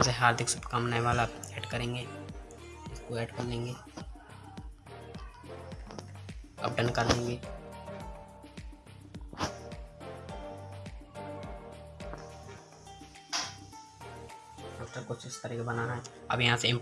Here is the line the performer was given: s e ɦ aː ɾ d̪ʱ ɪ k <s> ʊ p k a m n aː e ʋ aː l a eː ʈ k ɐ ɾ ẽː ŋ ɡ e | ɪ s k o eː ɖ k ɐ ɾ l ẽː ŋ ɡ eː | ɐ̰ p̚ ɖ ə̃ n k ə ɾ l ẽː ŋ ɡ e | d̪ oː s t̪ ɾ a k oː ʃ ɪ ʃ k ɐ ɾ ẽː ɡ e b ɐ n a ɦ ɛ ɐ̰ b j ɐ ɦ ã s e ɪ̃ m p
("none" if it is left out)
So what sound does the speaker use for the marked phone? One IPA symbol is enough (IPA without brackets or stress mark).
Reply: s